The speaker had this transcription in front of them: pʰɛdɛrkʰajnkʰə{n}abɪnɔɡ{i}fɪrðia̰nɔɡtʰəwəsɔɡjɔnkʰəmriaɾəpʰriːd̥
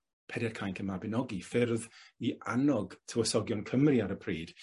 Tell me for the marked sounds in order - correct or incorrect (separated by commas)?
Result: incorrect, correct